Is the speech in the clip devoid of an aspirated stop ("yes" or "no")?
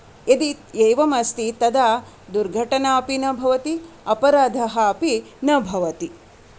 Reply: yes